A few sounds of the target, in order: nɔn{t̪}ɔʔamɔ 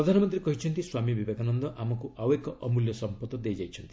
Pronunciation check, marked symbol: incorrect: d̪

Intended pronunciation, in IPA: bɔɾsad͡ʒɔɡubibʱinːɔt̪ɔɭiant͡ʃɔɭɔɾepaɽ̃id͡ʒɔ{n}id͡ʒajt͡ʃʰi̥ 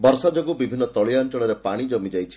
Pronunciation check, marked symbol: incorrect: m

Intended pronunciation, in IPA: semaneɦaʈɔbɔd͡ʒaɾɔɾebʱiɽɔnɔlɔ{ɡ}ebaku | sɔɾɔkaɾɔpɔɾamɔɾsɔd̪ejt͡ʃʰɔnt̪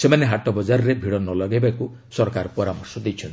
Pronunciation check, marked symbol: correct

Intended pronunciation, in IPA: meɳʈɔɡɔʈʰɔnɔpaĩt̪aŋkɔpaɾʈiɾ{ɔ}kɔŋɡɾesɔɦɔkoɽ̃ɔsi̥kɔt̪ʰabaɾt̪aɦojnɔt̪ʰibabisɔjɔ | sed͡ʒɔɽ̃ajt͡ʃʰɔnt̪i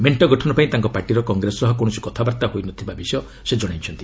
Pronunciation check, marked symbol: correct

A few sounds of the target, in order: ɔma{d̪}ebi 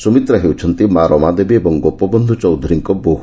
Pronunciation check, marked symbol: correct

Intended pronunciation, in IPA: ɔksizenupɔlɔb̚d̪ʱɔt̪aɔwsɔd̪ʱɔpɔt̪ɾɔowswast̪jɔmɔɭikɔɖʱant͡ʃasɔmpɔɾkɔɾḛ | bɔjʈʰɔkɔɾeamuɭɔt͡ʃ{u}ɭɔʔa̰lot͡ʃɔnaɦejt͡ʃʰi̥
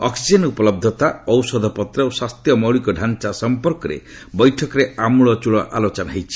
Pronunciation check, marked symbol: correct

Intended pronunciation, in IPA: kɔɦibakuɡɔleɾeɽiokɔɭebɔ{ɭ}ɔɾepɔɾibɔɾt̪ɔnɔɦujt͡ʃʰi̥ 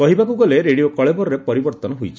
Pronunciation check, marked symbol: incorrect: ɾ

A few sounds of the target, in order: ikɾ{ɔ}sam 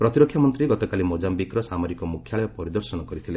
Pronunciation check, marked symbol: correct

